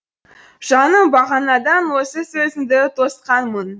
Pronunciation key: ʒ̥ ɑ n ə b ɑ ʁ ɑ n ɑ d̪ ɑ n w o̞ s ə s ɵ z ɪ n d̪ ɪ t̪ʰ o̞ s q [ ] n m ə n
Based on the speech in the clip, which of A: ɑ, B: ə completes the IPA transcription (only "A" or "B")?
A